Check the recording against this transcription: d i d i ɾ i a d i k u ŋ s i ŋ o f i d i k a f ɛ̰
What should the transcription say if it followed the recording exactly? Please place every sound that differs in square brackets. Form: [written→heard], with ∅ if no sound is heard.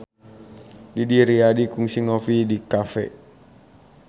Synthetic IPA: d i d i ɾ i a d i k u ŋ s i ŋ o f i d i k a f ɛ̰